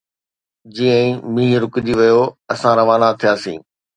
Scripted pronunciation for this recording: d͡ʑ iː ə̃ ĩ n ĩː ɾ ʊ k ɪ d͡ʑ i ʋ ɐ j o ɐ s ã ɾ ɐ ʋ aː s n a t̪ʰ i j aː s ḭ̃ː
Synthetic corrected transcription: d͡ʑ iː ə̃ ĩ m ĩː ɾ ʊ k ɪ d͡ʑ i ʋ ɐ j o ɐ s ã ɾ ɐ ʋ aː n a t̪ʰ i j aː s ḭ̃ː